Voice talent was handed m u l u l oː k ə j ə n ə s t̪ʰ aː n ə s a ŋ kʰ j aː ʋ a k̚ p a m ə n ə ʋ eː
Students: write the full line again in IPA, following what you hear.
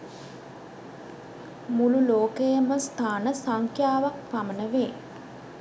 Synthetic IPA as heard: m u l u l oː k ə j ə m ə s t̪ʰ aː n ə s a ŋ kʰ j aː ʋ a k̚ p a m ə n ə ʋ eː